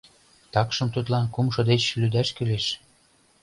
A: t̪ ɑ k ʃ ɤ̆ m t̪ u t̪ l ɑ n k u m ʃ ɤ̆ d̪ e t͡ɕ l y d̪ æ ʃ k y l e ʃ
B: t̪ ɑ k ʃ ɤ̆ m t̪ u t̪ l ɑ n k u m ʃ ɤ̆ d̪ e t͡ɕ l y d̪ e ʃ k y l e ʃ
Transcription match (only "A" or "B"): A